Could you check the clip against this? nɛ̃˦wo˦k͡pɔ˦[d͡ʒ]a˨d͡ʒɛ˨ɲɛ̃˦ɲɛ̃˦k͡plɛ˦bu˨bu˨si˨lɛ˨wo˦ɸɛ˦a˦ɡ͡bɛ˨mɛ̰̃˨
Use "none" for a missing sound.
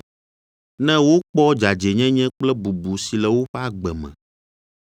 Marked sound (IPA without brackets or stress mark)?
d͡ʒ